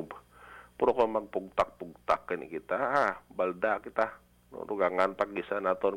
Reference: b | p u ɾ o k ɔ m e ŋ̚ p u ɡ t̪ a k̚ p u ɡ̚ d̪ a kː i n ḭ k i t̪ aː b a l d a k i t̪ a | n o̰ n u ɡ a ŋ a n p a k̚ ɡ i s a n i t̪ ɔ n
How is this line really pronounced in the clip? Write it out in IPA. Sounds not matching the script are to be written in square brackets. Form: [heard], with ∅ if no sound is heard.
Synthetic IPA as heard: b | p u ɾ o k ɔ m [a] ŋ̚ p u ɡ t̪ a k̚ p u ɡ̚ [t̪] a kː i n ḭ k i t̪ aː b a l d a k i t̪ a | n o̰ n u ɡ a ŋ a n p a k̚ ɡ i s a n [a] t̪ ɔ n